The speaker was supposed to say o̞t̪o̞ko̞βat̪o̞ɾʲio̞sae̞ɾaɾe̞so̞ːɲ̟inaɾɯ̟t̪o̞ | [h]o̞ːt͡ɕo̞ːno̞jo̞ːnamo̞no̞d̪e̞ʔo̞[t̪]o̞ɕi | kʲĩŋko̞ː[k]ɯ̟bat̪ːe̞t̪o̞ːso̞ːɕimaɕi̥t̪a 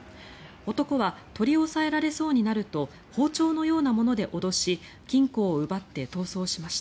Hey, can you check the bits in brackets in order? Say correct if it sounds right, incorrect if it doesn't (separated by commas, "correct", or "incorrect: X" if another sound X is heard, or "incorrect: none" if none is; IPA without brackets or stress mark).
correct, incorrect: d̪, incorrect: none